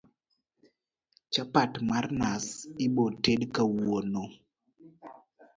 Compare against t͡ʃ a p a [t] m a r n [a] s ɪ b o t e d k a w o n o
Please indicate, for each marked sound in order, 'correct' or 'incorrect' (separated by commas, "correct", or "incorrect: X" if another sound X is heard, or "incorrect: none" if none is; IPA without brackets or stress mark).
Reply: correct, correct